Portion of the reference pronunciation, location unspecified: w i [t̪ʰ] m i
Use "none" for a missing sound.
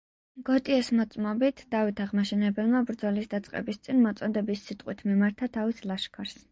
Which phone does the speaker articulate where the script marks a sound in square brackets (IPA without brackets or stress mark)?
t̪ʰ